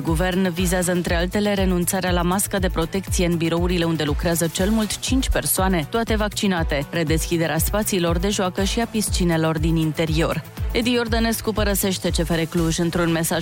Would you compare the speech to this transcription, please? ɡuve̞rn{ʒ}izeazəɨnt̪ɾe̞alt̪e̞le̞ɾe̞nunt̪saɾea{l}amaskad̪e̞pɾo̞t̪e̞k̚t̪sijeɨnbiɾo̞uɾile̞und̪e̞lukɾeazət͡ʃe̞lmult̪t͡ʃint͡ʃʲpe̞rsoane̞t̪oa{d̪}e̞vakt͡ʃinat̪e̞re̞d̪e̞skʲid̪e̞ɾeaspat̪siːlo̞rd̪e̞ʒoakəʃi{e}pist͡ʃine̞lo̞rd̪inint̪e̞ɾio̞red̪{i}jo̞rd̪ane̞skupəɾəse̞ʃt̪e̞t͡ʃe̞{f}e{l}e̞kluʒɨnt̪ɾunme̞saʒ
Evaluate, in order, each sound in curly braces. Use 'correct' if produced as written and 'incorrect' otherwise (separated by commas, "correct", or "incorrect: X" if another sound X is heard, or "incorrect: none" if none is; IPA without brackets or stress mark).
incorrect: v, correct, incorrect: t̪, incorrect: a, correct, correct, incorrect: ɾ